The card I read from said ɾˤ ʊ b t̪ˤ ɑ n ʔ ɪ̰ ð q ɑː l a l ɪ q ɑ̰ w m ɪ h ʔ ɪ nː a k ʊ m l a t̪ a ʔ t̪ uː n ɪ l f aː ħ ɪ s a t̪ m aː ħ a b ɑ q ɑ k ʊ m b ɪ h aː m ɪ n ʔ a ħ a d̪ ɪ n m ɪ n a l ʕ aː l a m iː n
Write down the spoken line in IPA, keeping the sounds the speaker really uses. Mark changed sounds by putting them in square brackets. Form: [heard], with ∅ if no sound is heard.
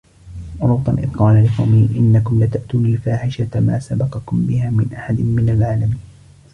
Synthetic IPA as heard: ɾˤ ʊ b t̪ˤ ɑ n ʔ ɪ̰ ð q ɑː l a l ɪ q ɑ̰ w m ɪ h ʔ ɪ nː a k ʊ m l a t̪ a ʔ t̪ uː n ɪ l f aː ħ ɪ [ʃ] a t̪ m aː [s] a b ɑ q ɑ k ʊ m b ɪ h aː m ɪ n ʔ a ħ a d̪ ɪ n m ɪ n a l ʕ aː l a m iː n

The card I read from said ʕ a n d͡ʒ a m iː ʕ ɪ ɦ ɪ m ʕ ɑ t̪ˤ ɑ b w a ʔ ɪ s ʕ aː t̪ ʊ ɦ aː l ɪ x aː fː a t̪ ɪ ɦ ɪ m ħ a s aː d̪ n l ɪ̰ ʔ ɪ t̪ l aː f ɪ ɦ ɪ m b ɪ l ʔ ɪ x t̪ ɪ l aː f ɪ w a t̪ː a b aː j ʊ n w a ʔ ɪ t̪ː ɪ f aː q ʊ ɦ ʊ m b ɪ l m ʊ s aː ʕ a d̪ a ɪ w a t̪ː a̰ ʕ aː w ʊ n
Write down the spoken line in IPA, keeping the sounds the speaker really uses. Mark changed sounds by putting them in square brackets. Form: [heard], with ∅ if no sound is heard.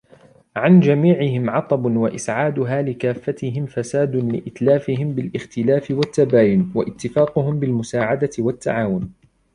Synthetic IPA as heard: ʕ a n d͡ʒ a m iː ʕ ɪ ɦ ɪ m ʕ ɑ t̪ˤ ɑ b w a ʔ ɪ s ʕ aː [d̪] ʊ ɦ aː l ɪ [k] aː fː a t̪ ɪ ɦ ɪ m [f] a s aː d̪ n l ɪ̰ ʔ ɪ t̪ l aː f ɪ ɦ ɪ m b ɪ l ʔ ɪ x t̪ ɪ l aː f ɪ w a t̪ː a b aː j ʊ n w a ʔ ɪ t̪ː ɪ f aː q ʊ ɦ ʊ m b ɪ l m ʊ s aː ʕ a d̪ a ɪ w a t̪ː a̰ ʕ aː w ʊ n

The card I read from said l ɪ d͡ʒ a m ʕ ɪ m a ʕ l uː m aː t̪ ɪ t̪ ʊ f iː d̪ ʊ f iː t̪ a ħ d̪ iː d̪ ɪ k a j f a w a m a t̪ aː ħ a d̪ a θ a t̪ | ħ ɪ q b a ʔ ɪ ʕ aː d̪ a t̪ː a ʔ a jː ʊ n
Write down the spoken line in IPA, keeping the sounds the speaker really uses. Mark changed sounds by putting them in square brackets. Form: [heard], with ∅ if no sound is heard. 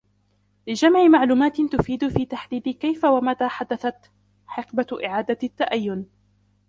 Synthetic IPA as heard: l ɪ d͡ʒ a m ʕ ɪ m a ʕ l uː m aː t̪ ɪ t̪ ʊ f iː d̪ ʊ f iː t̪ a ħ d̪ iː d̪ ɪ k a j f a w a m a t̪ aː ħ a d̪ a θ a t̪ | ħ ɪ q b a ʔ ɪ ʕ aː d̪ a t̪ː a ʔ a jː ʊ n

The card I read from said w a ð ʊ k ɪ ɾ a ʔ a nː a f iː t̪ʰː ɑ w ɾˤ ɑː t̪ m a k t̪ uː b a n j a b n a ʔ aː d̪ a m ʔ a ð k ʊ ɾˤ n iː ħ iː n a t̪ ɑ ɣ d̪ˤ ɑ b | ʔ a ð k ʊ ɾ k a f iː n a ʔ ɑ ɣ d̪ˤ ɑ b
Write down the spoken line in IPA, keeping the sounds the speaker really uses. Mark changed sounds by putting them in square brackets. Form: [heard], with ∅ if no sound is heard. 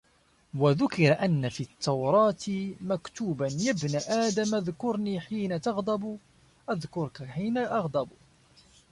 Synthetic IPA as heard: w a ð ʊ k ɪ ɾ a ʔ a nː a f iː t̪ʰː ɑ w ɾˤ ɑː t̪ m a k t̪ uː b a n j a b n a ʔ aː d̪ a m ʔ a ð k ʊ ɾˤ n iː ħ iː n a t̪ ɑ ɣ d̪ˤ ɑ b | ʔ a ð k ʊ ɾ k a [ħ] iː n a ʔ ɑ ɣ d̪ˤ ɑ b

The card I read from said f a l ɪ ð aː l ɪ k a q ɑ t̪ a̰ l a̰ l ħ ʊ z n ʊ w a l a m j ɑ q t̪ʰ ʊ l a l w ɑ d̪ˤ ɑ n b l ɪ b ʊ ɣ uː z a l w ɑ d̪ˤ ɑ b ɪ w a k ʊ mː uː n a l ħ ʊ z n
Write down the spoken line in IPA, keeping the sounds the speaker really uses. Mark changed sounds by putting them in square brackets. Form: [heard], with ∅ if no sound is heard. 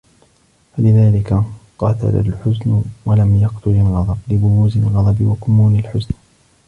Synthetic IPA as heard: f a l ɪ ð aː l ɪ k a q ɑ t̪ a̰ l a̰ l ħ ʊ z n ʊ w a l a m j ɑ q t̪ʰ ʊ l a l [ɣ] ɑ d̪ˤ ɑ [∅] b l ɪ b ʊ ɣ uː z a l [ɣ] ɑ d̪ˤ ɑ b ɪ w a k ʊ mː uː n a l ħ ʊ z n

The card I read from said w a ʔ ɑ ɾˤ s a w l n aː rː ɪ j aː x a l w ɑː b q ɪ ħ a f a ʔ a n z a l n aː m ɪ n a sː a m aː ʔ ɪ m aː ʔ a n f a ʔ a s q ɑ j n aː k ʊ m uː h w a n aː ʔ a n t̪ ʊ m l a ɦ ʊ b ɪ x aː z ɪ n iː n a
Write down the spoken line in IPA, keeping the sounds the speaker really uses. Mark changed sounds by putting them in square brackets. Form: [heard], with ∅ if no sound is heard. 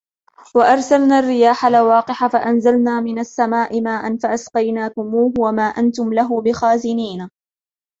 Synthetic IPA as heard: w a ʔ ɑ ɾˤ s a [∅] l n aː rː ɪ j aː [ħ] a l w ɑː [∅] q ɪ ħ a f a ʔ a n z a l n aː m ɪ n a sː a m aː ʔ ɪ m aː ʔ a n f a ʔ a s q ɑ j n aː k ʊ m uː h w a [m] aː ʔ a n t̪ ʊ m l a ɦ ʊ b ɪ x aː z ɪ n iː n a

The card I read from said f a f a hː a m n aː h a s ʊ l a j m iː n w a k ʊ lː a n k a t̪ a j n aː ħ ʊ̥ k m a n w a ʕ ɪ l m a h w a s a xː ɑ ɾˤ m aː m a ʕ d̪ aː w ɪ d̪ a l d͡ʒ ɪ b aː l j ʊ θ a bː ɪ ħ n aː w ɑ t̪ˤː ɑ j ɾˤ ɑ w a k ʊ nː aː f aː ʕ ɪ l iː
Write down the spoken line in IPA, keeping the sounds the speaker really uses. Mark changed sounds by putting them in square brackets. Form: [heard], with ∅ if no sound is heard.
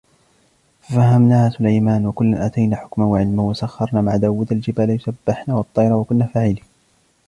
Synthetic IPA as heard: f a f a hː a m n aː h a s ʊ l a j m [aː] n w a k ʊ lː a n [ʔ] a t̪ a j n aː ħ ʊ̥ k m a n w a ʕ ɪ l m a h w a s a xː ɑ ɾˤ [n] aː m a ʕ d̪ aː w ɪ d̪ a l d͡ʒ ɪ b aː l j ʊ [s] a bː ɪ ħ n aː w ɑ t̪ˤː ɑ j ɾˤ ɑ w a k ʊ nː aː f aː ʕ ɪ l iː

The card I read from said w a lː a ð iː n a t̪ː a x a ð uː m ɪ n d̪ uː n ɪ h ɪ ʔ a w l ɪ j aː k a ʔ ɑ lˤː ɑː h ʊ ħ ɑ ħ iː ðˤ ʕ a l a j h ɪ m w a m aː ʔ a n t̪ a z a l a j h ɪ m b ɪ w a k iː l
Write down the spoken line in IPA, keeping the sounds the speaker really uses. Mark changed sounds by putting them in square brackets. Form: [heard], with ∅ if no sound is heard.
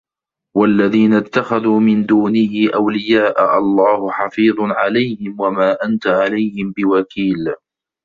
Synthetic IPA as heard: w a lː a ð iː n a t̪ː a x a ð uː m ɪ n d̪ uː n ɪ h ɪ ʔ a w l ɪ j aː [ʔ] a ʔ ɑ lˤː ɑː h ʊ ħ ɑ [f] iː ðˤ ʕ a l a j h ɪ m w a m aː ʔ a n t̪ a [ʕ] a l a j h ɪ m b ɪ w a k iː l

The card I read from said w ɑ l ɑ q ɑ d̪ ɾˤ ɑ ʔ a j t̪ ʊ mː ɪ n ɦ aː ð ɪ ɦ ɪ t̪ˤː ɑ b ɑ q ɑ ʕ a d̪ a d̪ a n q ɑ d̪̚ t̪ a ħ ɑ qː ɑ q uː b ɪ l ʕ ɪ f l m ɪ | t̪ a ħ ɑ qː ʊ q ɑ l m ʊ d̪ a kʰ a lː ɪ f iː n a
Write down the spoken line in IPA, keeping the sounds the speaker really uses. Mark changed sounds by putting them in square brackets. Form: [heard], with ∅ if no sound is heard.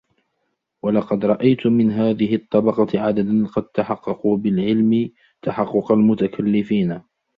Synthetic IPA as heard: w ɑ l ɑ q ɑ d̪ ɾˤ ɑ ʔ a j t̪ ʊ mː ɪ n ɦ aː ð ɪ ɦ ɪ t̪ˤː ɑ b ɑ q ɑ ʕ a d̪ a d̪ a n q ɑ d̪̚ t̪ a ħ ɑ qː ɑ q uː b ɪ l ʕ ɪ [∅] l m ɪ | t̪ a ħ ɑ qː ʊ q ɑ l m ʊ [t̪] a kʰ a lː ɪ f iː n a

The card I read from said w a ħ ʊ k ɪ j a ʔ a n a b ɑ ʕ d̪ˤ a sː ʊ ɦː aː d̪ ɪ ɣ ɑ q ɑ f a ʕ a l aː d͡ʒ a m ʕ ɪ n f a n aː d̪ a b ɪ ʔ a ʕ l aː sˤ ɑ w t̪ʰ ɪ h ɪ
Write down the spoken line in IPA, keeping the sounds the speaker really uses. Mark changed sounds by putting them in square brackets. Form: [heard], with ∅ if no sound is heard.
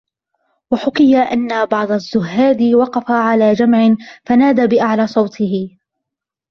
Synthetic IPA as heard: w a ħ ʊ k ɪ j a ʔ a [nː] a b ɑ ʕ d̪ˤ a [zː] ʊ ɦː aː d̪ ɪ [w] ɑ q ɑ f a ʕ a l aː d͡ʒ a m ʕ ɪ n f a n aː d̪ a b ɪ ʔ a ʕ l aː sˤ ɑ w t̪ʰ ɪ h ɪ

